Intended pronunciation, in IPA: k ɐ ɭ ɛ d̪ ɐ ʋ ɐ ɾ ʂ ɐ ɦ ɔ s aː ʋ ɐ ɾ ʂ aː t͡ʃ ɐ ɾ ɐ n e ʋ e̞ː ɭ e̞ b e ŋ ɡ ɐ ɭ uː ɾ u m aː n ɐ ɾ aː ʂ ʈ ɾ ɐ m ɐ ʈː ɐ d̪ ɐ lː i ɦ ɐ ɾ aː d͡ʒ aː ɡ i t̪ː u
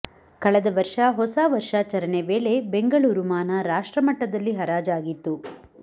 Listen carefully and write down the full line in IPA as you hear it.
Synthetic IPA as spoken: k ɐ ɭ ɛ d̪ ɐ ʋ ɐ ɾ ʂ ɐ ɦ ɔ s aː ʋ ɐ ɾ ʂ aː t͡ʃ ɐ ɾ ɐ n e ʋ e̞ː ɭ e̞ b e ŋ ɡ ɐ ɭ uː ɾ u m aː n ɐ ɾ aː ʂ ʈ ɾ ɐ m ɐ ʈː ɐ d̪ ɐ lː i ɦ ɐ ɾ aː d͡ʒ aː ɡ i t̪ː u